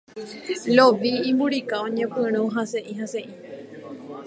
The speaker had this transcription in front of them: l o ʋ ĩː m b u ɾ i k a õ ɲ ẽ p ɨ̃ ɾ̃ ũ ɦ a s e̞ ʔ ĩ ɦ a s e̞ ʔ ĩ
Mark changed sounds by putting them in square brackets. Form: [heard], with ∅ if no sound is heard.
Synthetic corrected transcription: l o ʋ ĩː m b u ɾ i k a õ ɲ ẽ p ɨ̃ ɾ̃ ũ ɦ a s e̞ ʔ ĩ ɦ a s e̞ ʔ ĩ

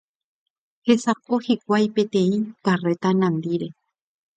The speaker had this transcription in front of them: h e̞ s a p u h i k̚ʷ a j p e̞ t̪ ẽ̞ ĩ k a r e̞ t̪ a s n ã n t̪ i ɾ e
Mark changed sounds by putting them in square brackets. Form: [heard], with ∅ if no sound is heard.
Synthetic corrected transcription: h e̞ s a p [o] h i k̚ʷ a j p e̞ t̪ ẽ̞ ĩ k a r e̞ t̪ a [∅] n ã n [d̪] i ɾ e

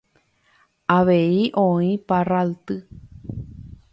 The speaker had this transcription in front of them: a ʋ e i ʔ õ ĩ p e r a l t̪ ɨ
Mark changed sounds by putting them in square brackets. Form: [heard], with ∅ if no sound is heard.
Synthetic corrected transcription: a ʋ e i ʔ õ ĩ p [a] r a l t̪ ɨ

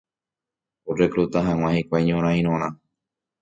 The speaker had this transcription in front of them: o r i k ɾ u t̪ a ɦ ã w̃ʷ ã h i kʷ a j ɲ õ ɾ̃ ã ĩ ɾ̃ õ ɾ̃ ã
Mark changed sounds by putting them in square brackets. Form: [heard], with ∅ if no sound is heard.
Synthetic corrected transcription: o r [e] k ɾ u t̪ a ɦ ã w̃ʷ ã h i kʷ a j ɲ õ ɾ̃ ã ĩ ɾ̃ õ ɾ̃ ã

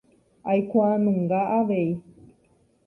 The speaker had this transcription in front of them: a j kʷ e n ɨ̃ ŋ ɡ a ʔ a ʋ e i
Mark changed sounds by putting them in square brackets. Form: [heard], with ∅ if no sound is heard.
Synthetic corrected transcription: a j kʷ [a] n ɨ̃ ŋ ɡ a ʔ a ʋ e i

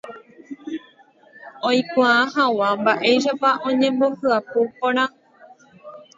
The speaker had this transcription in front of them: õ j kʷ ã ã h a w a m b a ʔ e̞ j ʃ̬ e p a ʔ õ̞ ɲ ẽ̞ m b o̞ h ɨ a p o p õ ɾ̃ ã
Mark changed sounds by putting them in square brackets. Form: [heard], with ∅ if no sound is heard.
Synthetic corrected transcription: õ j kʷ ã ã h a w a m b a ʔ e̞ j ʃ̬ [a] p a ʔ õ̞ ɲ ẽ̞ m b o̞ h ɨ a p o p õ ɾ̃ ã

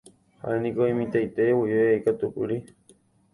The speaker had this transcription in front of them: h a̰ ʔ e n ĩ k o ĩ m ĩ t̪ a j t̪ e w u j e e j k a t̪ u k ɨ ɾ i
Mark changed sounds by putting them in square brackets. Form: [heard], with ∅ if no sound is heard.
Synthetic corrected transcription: h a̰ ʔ e n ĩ k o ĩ m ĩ t̪ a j t̪ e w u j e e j k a t̪ u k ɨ ɾ i

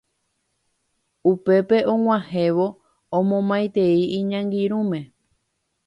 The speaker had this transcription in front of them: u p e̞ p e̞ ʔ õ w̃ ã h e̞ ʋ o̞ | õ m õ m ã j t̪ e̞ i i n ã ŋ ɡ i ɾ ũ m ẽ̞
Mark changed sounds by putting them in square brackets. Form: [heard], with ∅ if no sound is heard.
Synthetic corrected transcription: u p e̞ p e̞ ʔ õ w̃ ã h e̞ ʋ o̞ | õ m õ m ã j t̪ e̞ i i [ɲ] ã ŋ ɡ i ɾ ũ m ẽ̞

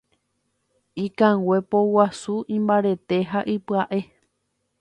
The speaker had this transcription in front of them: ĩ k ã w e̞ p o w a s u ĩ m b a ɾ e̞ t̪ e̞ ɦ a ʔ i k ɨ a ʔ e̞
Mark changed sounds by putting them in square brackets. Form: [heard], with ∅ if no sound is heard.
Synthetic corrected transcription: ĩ k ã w e̞ p o w a s u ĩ m b a ɾ e̞ t̪ e̞ ɦ a ʔ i [p] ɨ a ʔ e̞

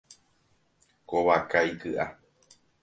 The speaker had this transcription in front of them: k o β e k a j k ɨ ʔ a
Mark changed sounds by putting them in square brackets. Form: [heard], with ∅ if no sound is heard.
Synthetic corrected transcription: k o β [a] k a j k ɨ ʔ a

